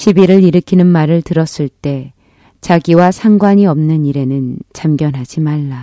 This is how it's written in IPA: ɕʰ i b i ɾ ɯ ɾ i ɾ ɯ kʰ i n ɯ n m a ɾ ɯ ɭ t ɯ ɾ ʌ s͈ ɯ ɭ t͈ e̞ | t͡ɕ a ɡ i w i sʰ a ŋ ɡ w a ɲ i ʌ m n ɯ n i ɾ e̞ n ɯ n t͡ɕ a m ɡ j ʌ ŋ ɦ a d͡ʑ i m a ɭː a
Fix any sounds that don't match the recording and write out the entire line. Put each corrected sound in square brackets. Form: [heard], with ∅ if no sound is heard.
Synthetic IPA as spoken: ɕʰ i b i ɾ ɯ ɾ i ɾ ɯ kʰ i n ɯ n m a ɾ ɯ ɭ t ɯ ɾ ʌ s͈ ɯ ɭ t͈ e̞ | t͡ɕ a ɡ i w [a] sʰ a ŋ ɡ w a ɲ i ʌ m n ɯ n i ɾ e̞ n ɯ n t͡ɕ a m ɡ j ʌ [n] ɦ a d͡ʑ i m a ɭː a